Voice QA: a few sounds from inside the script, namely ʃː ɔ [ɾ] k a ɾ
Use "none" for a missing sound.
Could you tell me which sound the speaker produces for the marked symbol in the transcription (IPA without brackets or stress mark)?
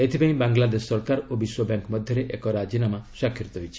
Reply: ɾ